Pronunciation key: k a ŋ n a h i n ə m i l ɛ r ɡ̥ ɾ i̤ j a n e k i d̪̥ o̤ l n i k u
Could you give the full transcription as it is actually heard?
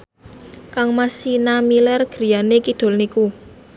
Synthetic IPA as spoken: k a ŋ m a s i n a m i l ɛ r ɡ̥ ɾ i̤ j a n e k i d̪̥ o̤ l n i k u